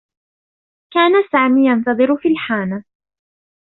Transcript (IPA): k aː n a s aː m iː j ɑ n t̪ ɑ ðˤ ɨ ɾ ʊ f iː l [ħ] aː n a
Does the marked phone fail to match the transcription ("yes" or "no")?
no